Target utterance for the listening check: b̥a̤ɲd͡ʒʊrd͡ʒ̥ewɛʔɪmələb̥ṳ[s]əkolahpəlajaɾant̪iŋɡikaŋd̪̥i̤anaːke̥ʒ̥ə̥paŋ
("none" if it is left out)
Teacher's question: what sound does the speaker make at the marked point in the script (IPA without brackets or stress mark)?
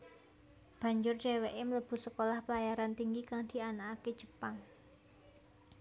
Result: s